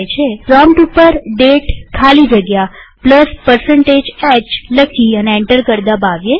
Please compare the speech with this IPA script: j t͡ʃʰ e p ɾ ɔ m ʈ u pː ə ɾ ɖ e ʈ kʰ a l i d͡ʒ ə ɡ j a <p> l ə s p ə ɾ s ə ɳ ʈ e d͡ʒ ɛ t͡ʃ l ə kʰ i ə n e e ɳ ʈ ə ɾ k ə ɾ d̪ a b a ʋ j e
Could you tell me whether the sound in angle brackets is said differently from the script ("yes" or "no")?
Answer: no